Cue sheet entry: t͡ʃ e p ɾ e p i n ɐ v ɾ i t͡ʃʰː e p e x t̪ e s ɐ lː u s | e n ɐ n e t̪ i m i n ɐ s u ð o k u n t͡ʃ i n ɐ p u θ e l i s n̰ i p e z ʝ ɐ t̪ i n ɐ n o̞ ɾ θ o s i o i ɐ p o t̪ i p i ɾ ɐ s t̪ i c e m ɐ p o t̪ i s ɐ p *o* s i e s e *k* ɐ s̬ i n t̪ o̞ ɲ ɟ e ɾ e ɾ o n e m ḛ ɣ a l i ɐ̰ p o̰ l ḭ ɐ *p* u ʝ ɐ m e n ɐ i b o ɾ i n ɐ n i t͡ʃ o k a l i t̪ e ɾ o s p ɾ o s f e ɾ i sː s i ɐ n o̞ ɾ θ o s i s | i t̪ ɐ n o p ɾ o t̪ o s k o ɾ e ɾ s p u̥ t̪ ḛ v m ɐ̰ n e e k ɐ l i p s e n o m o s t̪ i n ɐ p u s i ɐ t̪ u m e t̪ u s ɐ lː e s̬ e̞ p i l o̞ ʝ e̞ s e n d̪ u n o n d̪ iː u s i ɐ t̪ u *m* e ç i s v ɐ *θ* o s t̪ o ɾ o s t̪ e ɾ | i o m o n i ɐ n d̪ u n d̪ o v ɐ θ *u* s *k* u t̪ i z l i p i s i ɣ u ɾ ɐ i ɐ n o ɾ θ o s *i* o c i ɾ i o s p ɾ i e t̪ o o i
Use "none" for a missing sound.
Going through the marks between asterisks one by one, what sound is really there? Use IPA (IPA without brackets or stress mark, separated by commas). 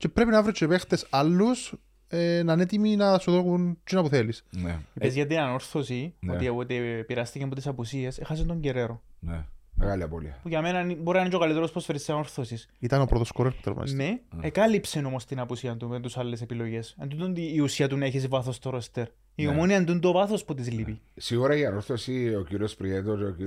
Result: u, x, p, n, θ, o, p, i